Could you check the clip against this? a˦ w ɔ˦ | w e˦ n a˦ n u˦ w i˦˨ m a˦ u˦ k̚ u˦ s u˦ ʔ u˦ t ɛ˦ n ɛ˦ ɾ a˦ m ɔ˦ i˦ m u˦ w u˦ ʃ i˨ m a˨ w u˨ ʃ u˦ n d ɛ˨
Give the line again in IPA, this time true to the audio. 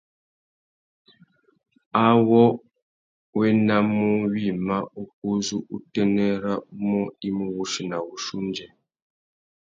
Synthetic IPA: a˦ w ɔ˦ | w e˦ n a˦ m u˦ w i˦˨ m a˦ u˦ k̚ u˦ z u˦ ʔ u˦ t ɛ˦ n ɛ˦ ɾ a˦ m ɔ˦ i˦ m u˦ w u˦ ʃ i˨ n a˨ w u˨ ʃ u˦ n d͡ʒ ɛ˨

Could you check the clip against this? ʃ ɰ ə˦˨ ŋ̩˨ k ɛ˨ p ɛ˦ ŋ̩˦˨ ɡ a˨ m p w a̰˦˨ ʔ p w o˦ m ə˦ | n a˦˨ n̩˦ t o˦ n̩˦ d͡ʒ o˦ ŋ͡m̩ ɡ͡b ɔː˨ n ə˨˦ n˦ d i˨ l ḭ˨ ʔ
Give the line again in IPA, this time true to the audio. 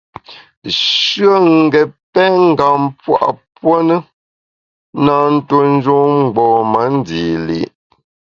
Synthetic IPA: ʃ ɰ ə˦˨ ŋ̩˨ ɡ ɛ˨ p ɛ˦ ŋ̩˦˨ ɡ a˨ m p w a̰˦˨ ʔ p w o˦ n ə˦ | n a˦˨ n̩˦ t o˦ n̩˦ d͡ʒ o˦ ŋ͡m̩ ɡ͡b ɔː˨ m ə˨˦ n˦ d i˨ l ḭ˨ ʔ

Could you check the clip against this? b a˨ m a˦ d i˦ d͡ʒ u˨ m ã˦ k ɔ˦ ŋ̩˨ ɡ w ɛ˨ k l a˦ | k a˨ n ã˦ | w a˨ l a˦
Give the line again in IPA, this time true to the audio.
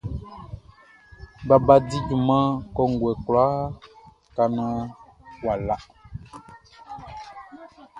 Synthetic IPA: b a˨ b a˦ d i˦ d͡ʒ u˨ m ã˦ k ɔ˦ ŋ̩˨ ɡ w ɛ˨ k l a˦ | k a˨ n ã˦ | w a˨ l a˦

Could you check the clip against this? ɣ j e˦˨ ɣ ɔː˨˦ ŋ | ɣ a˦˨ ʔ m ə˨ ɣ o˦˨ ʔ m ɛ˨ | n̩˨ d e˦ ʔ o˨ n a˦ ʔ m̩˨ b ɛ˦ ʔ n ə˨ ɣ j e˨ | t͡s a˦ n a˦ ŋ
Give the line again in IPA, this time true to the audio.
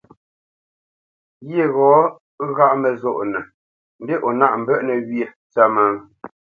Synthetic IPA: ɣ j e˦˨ ɣ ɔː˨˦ | ɣ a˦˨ ʔ m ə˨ z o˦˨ ʔ n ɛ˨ | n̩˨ d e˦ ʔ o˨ n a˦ ʔ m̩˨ b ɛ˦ ʔ n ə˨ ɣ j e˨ | t͡s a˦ m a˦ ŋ

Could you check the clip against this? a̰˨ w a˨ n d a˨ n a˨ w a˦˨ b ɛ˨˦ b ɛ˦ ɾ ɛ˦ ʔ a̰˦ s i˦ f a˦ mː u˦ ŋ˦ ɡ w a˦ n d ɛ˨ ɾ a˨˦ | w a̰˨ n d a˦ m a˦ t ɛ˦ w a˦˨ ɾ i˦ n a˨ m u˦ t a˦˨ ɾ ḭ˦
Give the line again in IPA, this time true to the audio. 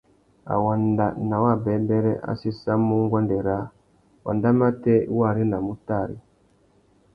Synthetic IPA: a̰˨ w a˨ n d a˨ n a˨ w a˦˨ b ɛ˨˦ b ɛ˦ ɾ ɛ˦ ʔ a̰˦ s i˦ s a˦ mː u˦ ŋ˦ ɡ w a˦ n d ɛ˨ ɾ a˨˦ | w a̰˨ n d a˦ m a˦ t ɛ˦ w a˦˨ ɾ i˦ n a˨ m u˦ t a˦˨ ɾ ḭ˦

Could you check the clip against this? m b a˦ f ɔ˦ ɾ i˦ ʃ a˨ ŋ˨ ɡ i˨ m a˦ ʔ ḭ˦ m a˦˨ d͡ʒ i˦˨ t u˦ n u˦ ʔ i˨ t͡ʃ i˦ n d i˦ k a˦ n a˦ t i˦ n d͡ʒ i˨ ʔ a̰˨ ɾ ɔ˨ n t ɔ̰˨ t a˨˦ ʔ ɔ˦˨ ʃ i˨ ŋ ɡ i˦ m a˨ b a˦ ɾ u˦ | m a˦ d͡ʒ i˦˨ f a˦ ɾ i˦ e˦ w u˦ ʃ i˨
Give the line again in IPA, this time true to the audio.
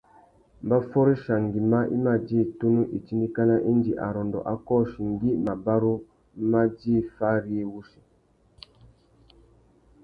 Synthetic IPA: m b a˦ f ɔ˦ ɾ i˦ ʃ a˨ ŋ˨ ɡ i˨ m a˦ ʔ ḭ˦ m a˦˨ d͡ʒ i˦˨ t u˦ n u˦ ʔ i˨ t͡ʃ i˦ n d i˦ k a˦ n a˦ ʔ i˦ n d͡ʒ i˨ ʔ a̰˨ ɾ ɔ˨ n d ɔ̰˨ ʔ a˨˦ k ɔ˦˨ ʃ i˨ ŋ ɡ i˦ m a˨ b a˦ ɾ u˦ | m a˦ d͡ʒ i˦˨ f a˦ ɾ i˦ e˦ w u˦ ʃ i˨

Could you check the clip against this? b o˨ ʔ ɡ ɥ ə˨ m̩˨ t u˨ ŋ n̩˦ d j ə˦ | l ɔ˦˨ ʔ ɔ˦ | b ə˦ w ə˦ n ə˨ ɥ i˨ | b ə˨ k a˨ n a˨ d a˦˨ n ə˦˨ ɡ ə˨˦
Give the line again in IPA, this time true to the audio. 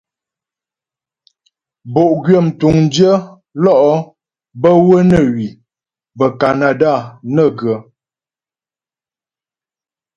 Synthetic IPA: b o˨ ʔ ɡ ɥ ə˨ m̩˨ t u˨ ŋ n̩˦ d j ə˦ | l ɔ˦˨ ʔ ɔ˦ | b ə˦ w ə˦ n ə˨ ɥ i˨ | b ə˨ k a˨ n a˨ d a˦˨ n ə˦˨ ɡ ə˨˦

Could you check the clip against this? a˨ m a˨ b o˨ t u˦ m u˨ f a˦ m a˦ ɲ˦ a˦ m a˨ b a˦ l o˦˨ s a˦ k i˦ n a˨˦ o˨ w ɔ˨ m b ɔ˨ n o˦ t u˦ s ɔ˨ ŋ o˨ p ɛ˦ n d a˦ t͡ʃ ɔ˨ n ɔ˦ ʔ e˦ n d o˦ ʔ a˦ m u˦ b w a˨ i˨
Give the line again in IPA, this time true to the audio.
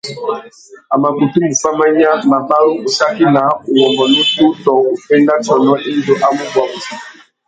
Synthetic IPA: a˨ m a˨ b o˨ t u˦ m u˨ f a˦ m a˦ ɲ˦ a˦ m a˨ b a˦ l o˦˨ s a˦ k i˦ n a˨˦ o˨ w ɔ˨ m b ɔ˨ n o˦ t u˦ t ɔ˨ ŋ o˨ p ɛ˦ n d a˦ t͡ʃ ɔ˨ n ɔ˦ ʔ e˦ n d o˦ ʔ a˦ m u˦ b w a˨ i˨

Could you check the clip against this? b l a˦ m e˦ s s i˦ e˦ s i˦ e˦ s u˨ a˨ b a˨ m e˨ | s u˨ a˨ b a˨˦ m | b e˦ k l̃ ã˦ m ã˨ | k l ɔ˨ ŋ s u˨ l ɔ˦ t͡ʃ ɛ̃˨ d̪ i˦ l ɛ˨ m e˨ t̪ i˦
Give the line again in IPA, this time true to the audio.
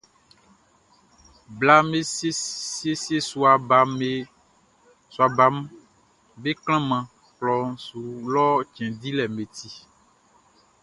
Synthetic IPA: b l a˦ m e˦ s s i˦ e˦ s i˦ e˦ s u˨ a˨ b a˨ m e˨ | s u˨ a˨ b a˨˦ m | b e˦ k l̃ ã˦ m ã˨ | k l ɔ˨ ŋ s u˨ l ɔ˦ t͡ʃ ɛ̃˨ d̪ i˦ l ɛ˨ m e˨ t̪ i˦

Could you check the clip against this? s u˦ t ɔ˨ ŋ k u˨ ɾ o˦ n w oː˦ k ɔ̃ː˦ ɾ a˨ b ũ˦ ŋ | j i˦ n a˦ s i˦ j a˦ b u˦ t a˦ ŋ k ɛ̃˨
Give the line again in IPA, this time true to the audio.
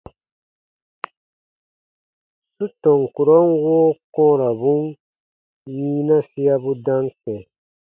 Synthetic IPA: s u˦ t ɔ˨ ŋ k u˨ ɾ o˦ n w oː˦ k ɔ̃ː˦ ɾ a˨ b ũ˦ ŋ | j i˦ n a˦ s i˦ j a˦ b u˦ d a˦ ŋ k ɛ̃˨

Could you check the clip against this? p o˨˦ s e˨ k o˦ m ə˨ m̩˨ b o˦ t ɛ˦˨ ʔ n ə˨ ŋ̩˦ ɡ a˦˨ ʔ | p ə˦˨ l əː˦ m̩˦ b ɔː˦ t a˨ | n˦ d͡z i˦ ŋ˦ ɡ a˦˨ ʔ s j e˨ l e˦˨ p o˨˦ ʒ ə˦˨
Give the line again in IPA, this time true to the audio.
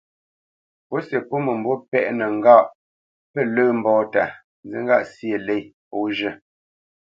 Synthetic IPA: p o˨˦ s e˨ p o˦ m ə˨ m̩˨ b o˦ p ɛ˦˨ ʔ n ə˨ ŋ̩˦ ɡ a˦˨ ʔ | p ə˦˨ l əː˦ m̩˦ b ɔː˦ t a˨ | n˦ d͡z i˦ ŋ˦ ɡ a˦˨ ʔ s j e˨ l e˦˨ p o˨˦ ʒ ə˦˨

